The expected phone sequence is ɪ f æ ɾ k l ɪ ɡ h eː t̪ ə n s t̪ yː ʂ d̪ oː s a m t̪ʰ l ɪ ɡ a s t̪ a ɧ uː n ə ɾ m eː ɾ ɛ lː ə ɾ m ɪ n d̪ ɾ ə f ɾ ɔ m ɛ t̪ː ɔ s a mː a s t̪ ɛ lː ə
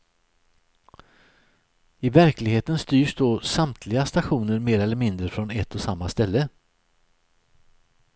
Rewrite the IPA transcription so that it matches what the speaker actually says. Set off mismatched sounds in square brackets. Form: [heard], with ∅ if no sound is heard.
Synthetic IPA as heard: ɪ [v] æ ɾ k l ɪ ɡ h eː t̪ ə n s t̪ yː ʂ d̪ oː s a m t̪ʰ l ɪ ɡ a s t̪ a ɧ uː n ə ɾ m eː ɾ ɛ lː ə ɾ m ɪ n d̪ ɾ ə f ɾ ɔ [n] ɛ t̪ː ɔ s a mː a s t̪ ɛ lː ə